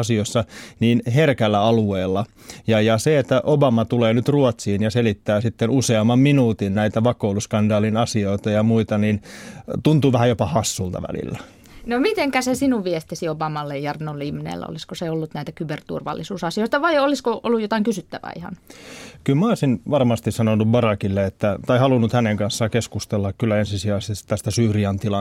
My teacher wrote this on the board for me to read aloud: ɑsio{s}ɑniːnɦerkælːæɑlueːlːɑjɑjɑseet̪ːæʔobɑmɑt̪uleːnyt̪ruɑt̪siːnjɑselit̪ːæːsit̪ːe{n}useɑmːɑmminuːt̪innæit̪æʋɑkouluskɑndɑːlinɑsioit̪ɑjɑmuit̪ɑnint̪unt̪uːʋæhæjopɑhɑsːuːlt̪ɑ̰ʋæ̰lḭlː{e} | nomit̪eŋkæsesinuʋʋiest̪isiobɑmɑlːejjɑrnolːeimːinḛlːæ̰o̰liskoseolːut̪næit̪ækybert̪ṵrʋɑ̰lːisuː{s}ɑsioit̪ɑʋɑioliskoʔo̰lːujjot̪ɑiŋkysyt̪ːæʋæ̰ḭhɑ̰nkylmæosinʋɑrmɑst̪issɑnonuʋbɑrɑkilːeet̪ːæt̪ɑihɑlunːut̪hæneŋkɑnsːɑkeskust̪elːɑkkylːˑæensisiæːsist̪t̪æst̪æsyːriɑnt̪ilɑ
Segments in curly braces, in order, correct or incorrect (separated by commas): incorrect, correct, incorrect, correct